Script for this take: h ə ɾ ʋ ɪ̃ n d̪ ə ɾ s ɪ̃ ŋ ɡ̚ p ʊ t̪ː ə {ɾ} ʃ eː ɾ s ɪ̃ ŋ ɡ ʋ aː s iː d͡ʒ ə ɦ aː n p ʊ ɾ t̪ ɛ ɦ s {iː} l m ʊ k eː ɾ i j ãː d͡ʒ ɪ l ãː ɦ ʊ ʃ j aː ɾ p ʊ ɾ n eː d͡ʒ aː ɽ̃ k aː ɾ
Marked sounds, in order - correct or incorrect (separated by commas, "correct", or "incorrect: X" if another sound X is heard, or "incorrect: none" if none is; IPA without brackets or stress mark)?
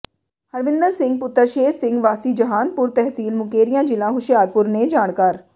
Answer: correct, correct